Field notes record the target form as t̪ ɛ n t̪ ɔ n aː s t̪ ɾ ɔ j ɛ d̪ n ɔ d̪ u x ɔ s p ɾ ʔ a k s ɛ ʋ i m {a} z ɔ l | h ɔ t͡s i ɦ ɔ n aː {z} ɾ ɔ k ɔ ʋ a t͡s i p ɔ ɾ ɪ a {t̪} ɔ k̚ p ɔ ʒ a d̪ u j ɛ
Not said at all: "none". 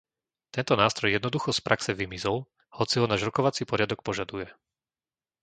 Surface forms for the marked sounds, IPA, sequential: i, ʒ, d̪

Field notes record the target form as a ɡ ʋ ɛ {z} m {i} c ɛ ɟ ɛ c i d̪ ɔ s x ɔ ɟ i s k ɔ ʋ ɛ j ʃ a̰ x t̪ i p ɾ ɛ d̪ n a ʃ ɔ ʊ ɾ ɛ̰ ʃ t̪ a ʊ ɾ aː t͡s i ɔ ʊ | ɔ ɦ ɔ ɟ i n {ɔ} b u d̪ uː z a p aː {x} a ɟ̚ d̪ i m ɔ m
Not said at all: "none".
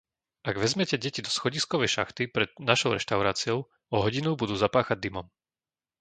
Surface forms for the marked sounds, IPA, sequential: z, ɛ, u, x

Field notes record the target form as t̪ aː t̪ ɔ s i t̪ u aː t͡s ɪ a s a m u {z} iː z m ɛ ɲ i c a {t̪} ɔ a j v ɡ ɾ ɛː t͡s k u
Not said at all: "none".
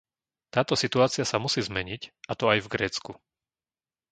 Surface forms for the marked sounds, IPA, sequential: s, t̪

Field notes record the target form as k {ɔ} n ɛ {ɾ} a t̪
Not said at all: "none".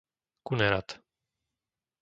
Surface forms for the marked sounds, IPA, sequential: u, ɾ

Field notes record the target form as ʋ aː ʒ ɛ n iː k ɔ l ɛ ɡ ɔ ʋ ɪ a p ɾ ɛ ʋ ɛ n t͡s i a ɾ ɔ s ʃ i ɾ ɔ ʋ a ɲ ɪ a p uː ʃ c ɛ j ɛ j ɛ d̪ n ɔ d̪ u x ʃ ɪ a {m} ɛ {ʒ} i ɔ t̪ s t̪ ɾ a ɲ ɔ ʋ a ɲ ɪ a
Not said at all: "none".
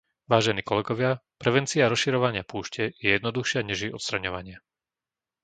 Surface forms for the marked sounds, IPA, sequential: ɲ, ʒ

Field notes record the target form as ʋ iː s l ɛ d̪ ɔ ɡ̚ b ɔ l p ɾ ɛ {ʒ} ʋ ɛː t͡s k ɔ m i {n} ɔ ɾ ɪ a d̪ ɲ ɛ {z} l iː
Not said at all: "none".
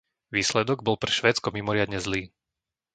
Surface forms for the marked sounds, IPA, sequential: ʃ, m, z

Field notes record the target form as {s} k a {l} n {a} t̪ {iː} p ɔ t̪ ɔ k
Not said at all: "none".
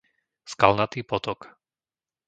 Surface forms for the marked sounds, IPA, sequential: s, l, a, iː

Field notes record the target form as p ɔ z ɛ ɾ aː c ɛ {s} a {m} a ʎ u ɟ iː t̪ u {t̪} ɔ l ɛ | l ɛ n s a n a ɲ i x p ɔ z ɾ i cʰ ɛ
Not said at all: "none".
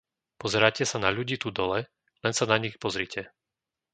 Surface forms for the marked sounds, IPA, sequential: s, n, d̪

